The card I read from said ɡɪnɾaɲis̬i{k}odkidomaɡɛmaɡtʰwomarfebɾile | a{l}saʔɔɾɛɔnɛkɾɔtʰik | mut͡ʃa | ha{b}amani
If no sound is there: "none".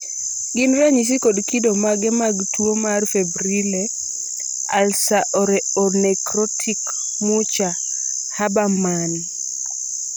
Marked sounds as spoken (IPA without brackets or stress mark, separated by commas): k, l, b